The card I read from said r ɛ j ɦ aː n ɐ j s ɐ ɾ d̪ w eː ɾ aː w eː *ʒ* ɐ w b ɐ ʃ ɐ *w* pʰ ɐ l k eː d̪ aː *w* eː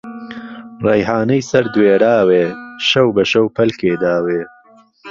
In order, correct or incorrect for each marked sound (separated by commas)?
incorrect, correct, correct